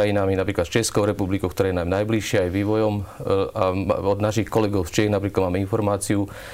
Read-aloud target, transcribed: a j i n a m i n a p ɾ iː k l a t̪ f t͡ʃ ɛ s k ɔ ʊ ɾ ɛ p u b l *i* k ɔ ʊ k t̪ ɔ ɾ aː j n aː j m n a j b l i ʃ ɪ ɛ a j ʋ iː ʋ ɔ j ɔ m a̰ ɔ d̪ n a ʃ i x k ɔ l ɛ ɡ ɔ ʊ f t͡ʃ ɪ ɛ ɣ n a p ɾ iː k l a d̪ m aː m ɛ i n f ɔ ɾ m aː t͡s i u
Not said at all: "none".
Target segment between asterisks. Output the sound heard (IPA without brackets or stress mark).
i